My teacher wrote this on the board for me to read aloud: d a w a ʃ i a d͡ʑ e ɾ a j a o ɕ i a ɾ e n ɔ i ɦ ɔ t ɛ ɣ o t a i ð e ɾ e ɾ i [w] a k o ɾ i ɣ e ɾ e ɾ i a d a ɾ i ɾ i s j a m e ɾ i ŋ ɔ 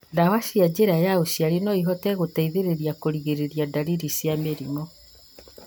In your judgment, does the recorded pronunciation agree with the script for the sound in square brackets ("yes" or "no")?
no